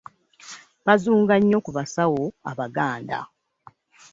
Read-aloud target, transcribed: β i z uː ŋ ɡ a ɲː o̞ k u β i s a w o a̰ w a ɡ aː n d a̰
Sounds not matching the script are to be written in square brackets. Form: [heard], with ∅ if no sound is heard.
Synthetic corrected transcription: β [a] z uː ŋ ɡ a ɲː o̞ k u β [a] s a w o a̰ [β] a ɡ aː n d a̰